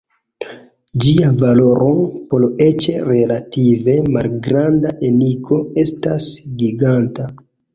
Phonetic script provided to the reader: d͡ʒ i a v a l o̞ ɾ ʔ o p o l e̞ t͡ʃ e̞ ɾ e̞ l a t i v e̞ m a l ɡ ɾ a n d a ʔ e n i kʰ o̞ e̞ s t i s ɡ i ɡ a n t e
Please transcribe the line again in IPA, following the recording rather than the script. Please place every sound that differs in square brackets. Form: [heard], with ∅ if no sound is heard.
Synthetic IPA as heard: d͡ʒ i a v a l o̞ ɾ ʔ o p o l e̞ t͡ʃ e̞ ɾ e̞ l a t i v e̞ m a l ɡ ɾ a n d a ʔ e n i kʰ o̞ e̞ s t [a] s ɡ i ɡ a n t [a]